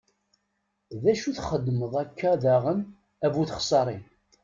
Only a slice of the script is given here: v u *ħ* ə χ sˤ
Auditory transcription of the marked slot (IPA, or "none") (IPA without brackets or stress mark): θ